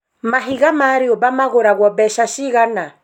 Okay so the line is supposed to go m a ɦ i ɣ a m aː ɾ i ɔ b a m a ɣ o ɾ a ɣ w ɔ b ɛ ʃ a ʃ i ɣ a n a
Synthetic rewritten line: m a ɦ i ɣ a m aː ɾ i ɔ b a m a ɣ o ɾ a ɣ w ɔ b ɛ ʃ a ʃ i ɣ a n a